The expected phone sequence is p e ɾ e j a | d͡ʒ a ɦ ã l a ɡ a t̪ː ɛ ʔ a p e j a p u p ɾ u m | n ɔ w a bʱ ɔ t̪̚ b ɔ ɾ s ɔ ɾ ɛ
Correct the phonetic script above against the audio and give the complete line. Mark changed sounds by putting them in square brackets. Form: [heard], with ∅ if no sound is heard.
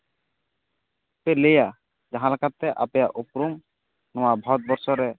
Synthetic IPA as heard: p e [l] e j a | d͡ʒ a ɦ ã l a [k] a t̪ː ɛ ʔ a p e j a [ʔ] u p ɾ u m | n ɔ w a bʱ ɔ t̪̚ b ɔ ɾ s ɔ ɾ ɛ